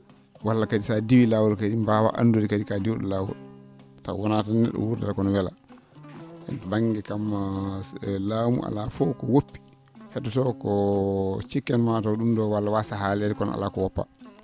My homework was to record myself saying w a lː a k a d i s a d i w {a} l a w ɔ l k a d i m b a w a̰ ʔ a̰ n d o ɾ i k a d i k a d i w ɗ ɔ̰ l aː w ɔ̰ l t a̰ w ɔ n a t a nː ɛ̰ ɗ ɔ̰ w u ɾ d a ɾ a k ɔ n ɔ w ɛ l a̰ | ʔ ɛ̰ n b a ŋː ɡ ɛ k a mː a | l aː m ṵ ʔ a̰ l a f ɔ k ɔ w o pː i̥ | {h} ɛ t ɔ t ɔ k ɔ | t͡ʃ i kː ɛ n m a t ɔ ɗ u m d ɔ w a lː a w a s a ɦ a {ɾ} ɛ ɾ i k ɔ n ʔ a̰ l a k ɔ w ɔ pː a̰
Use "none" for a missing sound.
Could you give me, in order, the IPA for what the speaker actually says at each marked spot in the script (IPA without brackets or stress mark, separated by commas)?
i, h, l